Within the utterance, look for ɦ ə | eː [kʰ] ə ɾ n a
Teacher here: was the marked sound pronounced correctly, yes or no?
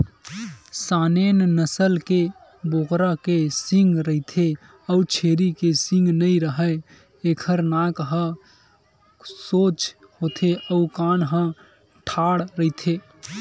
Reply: yes